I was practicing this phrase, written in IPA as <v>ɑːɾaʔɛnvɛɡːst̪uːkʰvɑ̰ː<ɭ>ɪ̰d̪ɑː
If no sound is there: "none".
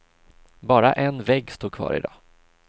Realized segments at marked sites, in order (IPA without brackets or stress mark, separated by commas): b, ɾ